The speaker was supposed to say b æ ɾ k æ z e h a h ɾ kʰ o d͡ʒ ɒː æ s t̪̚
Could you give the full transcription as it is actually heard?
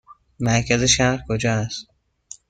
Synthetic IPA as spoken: m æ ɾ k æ z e ʃ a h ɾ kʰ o d͡ʒ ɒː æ s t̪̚

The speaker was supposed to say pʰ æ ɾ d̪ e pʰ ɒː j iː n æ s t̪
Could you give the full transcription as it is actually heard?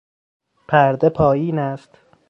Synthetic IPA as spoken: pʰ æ ɾ d̪ e pʰ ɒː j iː n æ s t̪

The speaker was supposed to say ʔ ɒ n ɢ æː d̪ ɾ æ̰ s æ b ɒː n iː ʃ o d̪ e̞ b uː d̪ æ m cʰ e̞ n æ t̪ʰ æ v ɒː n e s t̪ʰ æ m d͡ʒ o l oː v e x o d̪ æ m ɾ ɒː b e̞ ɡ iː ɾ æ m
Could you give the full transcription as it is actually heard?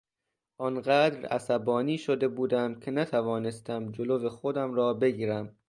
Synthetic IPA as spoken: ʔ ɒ n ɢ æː d̪ ɾ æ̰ s æ b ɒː n iː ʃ o d̪ e̞ b uː d̪ æ m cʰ e̞ n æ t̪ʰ æ v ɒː n e s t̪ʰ æ m d͡ʒ o l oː v e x o d̪ æ m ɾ ɒː b e̞ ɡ iː ɾ æ m

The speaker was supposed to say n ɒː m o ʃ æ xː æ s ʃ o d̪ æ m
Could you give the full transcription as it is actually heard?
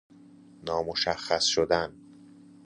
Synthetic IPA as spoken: n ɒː m o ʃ æ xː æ s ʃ o d̪ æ n

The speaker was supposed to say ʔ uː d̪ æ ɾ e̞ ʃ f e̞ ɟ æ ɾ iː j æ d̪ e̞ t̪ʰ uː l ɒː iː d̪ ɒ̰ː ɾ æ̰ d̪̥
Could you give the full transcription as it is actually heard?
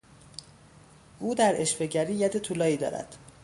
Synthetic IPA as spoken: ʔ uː d̪ æ ɾ e̞ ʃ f e̞ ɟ æ ɾ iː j æ d̪ e̞ t̪ʰ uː l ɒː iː d̪ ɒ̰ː ɾ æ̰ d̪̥

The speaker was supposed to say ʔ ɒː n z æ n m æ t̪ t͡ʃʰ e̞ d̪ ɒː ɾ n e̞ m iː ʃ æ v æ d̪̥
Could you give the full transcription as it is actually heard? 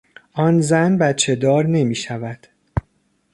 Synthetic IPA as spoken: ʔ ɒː n z æ n b æ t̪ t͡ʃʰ e̞ d̪ ɒː ɾ n e̞ m iː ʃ æ v æ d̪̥

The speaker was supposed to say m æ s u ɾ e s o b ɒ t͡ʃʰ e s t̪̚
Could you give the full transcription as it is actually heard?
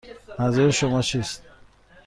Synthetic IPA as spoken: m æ z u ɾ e ʃ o m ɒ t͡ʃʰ i s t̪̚

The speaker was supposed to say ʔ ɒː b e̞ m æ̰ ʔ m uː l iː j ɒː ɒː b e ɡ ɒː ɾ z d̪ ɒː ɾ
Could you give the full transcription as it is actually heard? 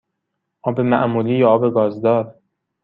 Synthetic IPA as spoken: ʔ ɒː b e̞ m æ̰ ʔ m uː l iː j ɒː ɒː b e ɡ ɒː z d̪ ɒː ɾ

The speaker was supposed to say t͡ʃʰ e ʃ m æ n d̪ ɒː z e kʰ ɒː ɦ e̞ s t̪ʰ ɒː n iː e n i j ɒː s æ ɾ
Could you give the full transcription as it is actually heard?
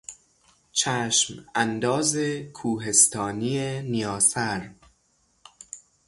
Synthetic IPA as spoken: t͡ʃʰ æ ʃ m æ n d̪ ɒː z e kʰ uː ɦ e̞ s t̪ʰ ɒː n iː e n i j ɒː s æ ɾ

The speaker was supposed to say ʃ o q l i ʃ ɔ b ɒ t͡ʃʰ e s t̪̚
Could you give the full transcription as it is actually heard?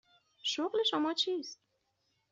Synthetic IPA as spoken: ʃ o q l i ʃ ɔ m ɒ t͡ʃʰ i s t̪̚

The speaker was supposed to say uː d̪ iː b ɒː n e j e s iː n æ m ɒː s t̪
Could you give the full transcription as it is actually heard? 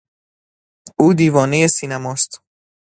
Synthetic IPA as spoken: uː d̪ iː v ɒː n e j e s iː n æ m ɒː s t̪

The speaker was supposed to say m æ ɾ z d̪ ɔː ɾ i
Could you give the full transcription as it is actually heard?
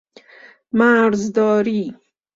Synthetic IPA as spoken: m a ɾ z d̪ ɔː ɾ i

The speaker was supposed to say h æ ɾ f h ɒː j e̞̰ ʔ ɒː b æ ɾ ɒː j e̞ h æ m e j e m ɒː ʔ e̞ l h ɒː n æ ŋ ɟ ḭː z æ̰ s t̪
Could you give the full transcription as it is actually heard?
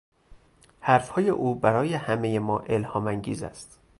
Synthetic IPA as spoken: h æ ɾ f h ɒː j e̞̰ ʔ uː b æ ɾ ɒː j e̞ h æ m e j e m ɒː ʔ e̞ l h ɒː m æ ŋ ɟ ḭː z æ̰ s t̪

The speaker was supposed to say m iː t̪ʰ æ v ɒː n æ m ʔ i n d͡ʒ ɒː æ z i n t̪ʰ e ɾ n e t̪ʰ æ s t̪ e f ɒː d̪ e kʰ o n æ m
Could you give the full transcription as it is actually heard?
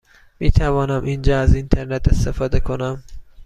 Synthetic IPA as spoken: m iː t̪ʰ æ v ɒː n æ m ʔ i n d͡ʒ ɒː æ z i n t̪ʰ e ɾ n e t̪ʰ e s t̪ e f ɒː d̪ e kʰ o n æ m

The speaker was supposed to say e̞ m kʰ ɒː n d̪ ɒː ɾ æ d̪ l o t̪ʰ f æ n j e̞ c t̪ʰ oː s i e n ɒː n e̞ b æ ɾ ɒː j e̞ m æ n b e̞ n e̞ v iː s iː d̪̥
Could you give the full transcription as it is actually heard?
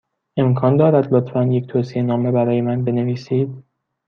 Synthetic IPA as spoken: e̞ m kʰ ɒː n d̪ ɒː ɾ æ d̪ l o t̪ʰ f æ n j e̞ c t̪ʰ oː s i e n ɒː m e̞ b æ ɾ ɒː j e̞ m æ n b e̞ n e̞ v iː s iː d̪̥

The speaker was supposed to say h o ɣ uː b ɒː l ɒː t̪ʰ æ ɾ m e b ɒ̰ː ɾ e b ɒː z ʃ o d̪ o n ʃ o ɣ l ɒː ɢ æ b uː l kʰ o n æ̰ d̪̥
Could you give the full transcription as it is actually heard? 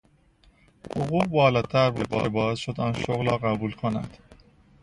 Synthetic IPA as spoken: h o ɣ uː b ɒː l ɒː t̪ʰ æ ɾ b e b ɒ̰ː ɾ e b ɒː z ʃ o d̪ ɒ n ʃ o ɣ l ɒː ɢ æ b uː l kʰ o n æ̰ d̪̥

